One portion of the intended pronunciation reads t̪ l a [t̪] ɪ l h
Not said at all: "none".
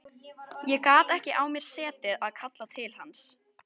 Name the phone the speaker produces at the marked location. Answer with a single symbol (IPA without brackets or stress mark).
t̪ʰ